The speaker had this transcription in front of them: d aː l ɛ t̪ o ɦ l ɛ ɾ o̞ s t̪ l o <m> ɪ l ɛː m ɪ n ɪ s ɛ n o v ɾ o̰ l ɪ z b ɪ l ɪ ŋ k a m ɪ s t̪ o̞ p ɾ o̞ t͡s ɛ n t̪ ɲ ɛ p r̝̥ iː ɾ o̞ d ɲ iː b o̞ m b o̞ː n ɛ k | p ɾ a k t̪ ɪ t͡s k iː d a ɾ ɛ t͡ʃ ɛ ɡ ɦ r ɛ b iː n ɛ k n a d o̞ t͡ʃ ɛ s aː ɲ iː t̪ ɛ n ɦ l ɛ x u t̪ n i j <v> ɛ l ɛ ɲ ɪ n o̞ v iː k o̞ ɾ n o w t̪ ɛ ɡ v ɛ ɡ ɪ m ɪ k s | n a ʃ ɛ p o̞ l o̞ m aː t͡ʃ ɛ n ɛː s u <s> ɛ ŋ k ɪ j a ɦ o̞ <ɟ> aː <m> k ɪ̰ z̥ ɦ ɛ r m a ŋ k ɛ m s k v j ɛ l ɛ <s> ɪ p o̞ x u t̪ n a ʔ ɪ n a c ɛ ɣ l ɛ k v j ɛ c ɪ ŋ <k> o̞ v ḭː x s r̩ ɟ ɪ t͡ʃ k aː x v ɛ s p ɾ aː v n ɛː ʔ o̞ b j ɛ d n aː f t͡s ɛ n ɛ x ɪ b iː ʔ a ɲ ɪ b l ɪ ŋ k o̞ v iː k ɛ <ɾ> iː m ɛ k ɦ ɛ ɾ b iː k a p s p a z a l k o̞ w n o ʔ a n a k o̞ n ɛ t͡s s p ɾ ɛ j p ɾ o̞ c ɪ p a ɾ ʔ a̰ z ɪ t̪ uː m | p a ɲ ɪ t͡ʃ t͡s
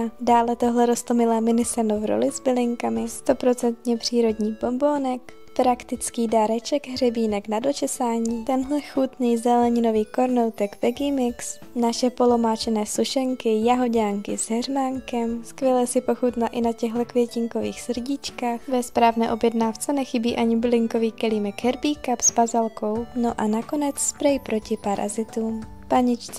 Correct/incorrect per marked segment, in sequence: correct, incorrect, incorrect, correct, incorrect, correct, correct, incorrect

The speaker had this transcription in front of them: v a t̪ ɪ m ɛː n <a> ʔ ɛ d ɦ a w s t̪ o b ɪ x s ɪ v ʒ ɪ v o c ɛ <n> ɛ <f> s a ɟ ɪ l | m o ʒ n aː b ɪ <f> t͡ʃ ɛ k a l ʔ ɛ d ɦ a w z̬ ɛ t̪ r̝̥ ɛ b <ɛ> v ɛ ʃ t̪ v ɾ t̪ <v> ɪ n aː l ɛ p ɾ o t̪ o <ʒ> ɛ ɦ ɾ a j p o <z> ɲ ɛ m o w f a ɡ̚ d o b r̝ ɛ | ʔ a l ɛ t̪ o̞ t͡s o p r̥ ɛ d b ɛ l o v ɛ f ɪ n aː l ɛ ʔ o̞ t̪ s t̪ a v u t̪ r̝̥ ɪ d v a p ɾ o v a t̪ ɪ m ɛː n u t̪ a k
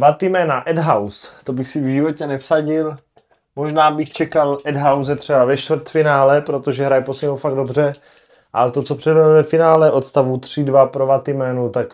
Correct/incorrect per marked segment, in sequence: correct, correct, correct, incorrect, incorrect, incorrect, correct, incorrect

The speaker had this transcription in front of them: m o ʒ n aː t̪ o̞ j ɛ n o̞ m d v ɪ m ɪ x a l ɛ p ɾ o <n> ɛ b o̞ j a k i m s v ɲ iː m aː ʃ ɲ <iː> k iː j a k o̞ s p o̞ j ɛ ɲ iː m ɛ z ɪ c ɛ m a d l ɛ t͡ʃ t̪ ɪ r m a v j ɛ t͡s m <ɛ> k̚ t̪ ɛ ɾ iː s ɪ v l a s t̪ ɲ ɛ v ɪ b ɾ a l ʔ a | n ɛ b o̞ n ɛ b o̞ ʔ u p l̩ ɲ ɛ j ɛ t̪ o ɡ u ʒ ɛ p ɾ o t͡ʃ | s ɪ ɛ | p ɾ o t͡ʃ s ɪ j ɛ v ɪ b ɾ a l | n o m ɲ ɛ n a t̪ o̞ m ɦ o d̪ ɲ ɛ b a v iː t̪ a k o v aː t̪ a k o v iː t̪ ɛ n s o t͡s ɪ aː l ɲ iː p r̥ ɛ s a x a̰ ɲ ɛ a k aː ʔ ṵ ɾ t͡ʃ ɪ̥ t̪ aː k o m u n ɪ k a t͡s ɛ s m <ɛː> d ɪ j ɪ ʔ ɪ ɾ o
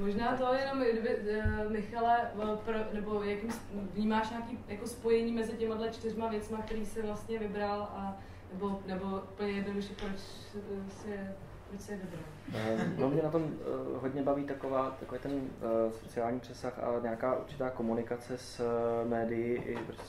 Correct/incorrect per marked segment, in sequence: correct, incorrect, incorrect, correct

